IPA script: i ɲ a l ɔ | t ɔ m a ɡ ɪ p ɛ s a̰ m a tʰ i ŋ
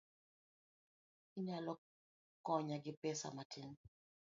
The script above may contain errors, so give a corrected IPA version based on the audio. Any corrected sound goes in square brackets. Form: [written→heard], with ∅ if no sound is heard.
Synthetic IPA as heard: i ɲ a l ɔ | [t→k] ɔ [m→ɲ] a ɡ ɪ p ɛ s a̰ m a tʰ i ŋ